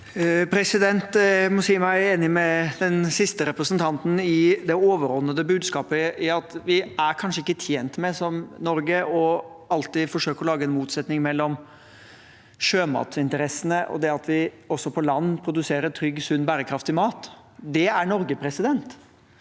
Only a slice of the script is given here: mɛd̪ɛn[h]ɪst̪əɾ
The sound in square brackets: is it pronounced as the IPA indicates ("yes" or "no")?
no